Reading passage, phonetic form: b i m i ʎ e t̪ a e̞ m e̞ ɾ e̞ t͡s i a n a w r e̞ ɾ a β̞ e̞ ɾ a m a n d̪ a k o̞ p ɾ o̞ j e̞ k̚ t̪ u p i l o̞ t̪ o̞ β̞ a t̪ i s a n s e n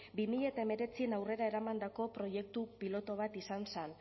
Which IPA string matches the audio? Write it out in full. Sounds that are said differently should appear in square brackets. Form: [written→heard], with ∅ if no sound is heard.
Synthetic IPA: b i m i ʎ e t̪ a e̞ m e̞ ɾ e̞ t͡s i [a→e] n a w r e̞ ɾ a [β̞→∅] e̞ ɾ a m a n d̪ a k o̞ p ɾ o̞ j e̞ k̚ t̪ u p i l o̞ t̪ o̞ β̞ a t̪ i s a n s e n